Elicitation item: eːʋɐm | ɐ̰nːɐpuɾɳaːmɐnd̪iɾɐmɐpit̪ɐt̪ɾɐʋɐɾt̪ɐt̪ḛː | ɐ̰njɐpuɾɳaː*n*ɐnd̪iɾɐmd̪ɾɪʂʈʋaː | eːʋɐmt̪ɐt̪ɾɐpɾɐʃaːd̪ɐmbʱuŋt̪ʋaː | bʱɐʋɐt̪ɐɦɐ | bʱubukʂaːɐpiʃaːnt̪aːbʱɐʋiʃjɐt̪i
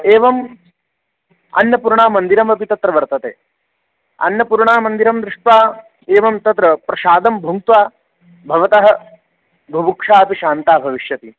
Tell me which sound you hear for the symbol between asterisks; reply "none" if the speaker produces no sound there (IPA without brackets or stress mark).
m